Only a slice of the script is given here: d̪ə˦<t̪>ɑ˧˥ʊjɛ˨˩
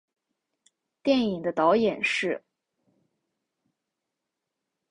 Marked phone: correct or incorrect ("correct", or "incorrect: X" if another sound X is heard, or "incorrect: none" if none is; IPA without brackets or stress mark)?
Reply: correct